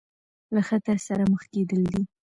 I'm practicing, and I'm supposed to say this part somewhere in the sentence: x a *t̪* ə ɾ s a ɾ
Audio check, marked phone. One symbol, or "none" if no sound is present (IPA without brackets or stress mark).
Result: t̪